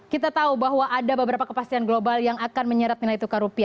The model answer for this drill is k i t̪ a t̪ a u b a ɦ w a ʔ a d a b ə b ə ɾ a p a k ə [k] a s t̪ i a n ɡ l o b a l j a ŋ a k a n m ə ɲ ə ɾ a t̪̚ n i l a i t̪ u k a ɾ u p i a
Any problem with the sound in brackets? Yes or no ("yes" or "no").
yes